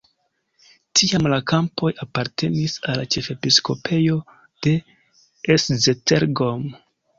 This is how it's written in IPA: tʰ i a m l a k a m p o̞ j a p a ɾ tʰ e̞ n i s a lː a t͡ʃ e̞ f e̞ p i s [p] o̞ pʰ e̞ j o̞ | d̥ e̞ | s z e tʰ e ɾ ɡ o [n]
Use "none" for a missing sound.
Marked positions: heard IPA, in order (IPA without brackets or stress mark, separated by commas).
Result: k, m